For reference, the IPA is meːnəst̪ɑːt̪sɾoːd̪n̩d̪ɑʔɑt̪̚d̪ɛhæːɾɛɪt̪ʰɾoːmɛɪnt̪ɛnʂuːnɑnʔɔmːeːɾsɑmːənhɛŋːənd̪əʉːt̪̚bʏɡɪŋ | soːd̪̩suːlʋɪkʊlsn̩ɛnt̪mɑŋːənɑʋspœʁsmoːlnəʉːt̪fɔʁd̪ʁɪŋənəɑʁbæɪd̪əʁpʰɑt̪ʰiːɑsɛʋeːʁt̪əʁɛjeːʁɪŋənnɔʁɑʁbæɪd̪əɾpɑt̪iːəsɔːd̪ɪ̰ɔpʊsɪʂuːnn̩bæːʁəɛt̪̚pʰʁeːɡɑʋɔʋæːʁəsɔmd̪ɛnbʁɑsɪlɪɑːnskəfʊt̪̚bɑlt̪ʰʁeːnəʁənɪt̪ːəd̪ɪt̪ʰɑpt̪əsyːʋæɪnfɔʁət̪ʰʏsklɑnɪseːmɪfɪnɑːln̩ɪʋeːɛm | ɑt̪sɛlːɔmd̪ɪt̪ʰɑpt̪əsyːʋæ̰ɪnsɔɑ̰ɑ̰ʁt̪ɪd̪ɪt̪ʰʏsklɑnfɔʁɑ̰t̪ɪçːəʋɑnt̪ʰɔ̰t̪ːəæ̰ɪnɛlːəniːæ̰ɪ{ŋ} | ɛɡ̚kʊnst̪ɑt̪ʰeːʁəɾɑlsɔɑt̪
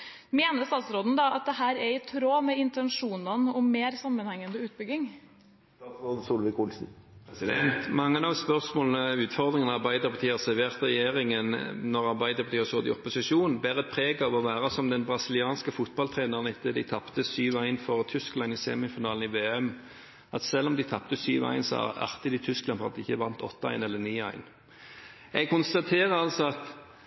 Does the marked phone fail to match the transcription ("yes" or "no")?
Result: yes